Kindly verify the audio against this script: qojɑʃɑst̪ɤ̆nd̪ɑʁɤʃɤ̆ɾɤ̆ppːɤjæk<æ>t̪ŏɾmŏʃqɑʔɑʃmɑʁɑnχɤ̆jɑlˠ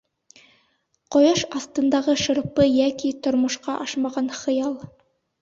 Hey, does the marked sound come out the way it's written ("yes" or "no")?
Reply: no